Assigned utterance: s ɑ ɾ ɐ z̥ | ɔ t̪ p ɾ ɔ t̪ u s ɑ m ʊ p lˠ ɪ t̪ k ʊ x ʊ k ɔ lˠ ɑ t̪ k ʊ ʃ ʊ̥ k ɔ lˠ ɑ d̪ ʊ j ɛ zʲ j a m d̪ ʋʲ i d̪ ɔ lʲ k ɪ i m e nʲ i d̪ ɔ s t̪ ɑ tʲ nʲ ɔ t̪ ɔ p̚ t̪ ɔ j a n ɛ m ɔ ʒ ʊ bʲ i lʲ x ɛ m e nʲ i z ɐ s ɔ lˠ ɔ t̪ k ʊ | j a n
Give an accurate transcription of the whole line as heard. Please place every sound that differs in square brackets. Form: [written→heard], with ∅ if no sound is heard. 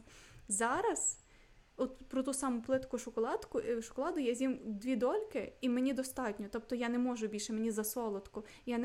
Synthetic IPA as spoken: [s→z] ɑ ɾ ɐ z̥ | ɔ t̪ p ɾ ɔ t̪ u s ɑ m ʊ p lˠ ɪ t̪ k ʊ [x→ʃ] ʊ k ɔ lˠ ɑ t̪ k ʊ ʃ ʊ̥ k ɔ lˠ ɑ d̪ ʊ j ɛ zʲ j [a→i] m d̪ ʋʲ i d̪ ɔ lʲ k ɪ i m e nʲ i d̪ ɔ s t̪ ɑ tʲ nʲ ɔ t̪ ɔ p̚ t̪ ɔ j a n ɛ m ɔ ʒ ʊ bʲ i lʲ [x→ʃ] ɛ m e nʲ i z ɐ s ɔ lˠ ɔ t̪ k ʊ | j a n